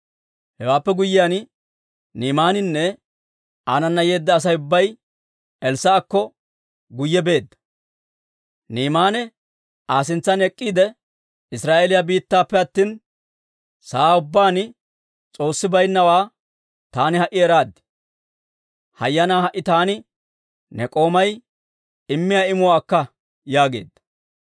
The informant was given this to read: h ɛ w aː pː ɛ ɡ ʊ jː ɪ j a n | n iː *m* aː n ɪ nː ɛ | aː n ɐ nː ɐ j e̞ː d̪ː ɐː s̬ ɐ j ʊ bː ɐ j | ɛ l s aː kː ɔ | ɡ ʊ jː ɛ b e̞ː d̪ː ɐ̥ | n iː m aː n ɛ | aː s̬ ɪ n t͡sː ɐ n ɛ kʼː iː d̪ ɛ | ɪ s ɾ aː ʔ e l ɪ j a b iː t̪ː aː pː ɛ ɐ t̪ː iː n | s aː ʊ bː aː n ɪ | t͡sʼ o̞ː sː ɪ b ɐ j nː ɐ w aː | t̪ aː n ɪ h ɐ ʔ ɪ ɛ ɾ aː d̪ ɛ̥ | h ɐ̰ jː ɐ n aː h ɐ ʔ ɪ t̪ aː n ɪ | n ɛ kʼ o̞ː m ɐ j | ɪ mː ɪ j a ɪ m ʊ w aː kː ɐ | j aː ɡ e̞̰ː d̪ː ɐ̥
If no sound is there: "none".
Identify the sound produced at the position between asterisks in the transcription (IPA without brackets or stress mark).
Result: m